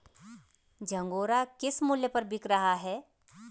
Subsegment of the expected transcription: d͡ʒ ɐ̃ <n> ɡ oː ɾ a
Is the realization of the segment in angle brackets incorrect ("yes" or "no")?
yes